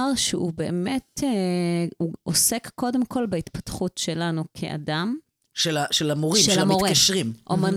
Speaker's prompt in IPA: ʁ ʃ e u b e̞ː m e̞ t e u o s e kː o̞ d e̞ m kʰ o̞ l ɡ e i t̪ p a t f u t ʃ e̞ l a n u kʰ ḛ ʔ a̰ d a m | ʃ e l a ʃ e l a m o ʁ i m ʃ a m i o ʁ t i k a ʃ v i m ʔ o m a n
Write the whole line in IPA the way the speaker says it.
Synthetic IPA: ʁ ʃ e u b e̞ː m e̞ t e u o s e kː o̞ d e̞ m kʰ o̞ l b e i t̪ p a t χ u t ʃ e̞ l a n u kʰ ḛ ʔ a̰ d a m | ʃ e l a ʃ e l a m o ʁ i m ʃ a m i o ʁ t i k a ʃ ʁ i m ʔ o m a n